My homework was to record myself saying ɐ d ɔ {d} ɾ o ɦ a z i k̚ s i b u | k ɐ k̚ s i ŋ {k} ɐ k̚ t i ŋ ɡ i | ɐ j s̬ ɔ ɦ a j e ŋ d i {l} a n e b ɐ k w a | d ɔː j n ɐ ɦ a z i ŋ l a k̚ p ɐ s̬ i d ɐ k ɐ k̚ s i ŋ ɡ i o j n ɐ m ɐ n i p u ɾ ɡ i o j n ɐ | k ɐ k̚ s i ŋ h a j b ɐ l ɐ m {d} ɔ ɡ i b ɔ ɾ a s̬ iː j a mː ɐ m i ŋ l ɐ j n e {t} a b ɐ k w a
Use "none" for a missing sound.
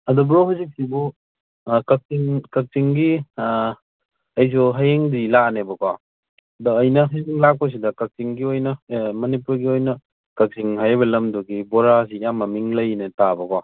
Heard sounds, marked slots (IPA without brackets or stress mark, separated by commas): b, k, l, d, t